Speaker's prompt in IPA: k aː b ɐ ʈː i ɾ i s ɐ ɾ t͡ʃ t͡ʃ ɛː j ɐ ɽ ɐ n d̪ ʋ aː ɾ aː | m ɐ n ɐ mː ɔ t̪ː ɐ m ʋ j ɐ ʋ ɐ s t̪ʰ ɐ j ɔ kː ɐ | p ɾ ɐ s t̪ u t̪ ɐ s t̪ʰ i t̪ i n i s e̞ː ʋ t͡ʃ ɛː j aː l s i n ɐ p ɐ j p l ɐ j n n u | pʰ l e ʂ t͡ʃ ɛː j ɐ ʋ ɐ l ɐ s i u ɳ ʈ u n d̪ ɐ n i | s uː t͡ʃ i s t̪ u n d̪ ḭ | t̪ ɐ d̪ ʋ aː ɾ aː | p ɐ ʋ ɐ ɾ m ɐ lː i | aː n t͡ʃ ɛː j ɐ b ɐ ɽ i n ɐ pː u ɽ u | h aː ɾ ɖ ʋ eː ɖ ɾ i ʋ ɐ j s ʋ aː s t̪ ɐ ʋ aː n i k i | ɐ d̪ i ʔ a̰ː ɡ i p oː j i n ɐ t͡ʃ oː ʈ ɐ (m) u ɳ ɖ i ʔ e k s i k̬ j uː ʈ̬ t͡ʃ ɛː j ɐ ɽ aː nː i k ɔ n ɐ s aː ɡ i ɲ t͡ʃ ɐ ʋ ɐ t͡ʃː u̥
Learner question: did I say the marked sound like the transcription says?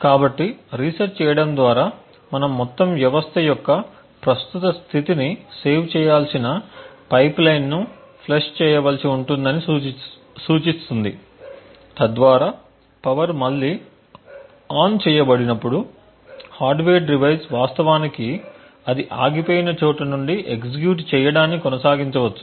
no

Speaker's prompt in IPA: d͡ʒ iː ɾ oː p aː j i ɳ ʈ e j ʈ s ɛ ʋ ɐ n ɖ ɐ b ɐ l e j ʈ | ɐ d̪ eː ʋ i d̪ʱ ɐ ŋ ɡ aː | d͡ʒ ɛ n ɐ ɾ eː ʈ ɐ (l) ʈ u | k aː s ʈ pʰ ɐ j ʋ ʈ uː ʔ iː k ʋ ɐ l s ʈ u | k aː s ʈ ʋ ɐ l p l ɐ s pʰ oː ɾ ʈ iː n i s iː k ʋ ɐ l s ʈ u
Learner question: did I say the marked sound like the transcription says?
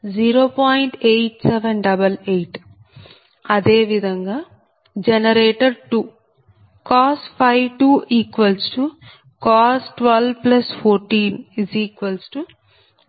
no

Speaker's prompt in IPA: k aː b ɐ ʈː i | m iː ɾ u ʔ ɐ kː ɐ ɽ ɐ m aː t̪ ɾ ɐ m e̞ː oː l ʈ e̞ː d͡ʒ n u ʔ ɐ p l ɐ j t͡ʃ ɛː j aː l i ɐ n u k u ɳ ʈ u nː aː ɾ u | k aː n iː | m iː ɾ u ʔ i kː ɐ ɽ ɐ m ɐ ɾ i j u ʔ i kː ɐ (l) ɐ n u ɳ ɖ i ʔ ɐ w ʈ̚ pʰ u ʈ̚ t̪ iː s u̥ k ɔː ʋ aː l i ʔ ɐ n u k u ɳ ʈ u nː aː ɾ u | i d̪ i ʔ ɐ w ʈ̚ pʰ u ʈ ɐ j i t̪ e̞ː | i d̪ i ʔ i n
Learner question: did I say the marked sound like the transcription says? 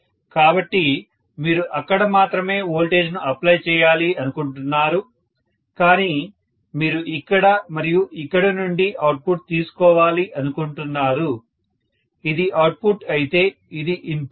no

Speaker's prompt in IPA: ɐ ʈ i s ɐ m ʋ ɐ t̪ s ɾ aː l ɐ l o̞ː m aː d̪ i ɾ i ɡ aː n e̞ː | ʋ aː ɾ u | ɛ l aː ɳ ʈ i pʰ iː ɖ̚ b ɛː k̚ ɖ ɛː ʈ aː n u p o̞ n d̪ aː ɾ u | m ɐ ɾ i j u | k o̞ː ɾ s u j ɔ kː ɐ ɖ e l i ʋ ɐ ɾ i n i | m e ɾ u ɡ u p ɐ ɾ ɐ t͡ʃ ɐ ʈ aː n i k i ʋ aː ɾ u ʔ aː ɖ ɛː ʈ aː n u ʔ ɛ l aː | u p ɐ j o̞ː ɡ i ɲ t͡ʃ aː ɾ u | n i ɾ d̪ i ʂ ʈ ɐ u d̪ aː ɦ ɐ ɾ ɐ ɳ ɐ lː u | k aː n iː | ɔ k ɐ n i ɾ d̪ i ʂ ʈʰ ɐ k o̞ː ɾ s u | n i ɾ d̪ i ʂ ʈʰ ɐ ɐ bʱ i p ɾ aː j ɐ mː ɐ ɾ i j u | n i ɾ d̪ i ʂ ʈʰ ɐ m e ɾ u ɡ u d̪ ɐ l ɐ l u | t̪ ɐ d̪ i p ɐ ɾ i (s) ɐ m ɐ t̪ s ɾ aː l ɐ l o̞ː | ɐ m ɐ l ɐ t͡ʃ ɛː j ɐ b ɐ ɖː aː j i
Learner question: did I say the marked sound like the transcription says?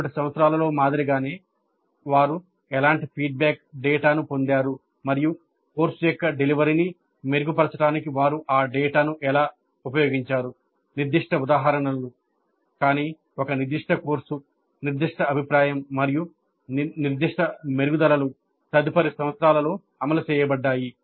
yes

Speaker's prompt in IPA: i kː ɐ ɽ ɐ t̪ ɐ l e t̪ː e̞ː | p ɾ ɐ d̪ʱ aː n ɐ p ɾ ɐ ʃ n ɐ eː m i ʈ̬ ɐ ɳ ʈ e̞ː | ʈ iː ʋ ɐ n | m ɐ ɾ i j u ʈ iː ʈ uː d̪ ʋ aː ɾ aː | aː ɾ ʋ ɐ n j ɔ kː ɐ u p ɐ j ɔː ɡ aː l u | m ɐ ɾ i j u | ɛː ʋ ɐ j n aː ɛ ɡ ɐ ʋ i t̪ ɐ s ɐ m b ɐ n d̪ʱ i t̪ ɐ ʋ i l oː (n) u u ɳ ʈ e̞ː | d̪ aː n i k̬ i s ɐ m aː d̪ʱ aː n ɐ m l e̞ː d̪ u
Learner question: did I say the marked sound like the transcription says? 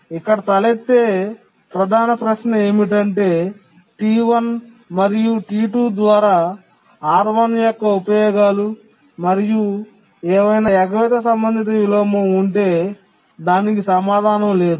no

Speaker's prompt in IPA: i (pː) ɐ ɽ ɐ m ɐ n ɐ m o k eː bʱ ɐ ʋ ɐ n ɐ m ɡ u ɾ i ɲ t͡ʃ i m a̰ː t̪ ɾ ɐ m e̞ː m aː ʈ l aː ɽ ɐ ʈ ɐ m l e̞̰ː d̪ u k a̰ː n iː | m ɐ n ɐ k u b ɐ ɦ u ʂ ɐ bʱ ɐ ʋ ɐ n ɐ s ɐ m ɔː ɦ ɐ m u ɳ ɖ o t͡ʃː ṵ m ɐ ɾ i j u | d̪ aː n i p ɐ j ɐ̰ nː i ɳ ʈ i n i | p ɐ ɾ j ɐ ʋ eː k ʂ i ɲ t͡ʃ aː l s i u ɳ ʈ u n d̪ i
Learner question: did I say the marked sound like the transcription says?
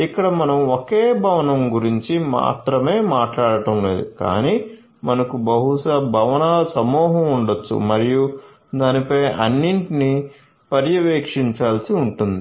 no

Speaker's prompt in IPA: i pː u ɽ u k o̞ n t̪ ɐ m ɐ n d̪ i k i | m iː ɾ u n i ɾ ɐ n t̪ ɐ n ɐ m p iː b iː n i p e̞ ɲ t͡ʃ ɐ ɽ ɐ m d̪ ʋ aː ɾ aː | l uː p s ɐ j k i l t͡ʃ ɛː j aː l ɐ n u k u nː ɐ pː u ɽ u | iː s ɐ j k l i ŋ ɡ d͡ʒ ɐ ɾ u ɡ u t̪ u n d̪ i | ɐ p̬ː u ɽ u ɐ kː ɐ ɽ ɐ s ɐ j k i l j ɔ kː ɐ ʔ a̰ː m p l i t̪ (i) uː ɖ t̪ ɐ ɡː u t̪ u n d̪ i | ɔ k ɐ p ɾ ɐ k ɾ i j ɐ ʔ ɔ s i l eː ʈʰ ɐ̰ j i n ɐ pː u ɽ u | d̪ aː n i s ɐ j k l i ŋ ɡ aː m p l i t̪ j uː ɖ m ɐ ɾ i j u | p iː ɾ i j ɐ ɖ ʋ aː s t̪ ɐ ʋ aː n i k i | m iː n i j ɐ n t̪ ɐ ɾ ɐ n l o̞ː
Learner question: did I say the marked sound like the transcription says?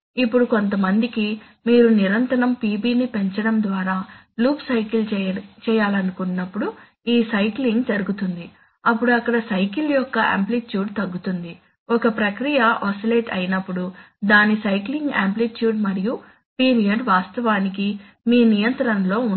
no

